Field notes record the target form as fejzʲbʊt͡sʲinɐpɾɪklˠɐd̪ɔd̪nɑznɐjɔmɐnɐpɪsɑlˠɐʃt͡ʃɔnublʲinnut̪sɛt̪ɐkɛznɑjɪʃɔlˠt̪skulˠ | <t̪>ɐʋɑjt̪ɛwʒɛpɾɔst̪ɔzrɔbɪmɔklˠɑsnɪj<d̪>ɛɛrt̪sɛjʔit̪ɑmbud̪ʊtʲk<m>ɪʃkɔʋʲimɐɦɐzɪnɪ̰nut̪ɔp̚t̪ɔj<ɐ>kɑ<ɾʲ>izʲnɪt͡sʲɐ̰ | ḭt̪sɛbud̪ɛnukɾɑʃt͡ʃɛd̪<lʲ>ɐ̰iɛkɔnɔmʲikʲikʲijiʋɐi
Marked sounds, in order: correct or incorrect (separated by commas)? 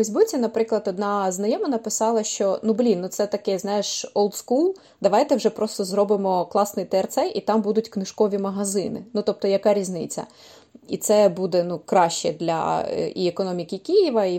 incorrect, incorrect, incorrect, correct, correct, correct